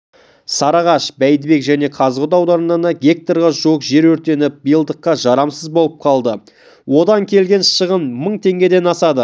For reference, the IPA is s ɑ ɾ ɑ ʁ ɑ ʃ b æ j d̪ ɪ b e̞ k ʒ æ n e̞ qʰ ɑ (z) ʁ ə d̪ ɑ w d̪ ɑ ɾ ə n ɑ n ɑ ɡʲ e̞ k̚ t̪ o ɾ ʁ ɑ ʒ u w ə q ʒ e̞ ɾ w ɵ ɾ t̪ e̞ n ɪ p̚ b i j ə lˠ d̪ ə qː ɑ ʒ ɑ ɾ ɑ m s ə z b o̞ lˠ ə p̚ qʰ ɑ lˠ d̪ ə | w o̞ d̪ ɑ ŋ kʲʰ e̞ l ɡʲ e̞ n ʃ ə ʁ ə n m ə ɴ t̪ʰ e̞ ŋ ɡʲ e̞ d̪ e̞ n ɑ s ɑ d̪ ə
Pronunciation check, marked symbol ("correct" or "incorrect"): correct